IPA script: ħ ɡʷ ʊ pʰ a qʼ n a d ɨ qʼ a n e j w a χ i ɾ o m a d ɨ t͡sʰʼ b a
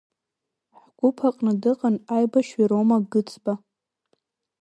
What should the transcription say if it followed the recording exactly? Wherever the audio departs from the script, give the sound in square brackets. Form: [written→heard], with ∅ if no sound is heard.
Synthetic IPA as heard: ħ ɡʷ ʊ pʰ a qʼ n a d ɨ qʼ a n [e→a] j [w→b] a [χ→ʃ] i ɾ o m a [d→ɡ] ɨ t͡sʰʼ b a